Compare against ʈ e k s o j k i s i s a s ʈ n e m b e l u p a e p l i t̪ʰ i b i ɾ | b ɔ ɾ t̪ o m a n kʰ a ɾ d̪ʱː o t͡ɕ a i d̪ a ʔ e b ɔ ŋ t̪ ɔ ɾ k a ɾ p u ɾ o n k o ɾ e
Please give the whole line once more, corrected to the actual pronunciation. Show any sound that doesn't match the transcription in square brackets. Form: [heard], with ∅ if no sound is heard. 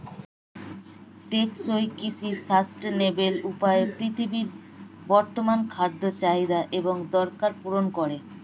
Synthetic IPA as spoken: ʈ e k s o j k i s i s a s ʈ n e [∅] b e l u p a e p [ɾ] i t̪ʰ i b i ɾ | b ɔ ɾ t̪ o m a n kʰ a ɾ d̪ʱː o t͡ɕ a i d̪ a ʔ e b [o] ŋ [d̪] ɔ ɾ k a ɾ p u ɾ o n k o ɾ e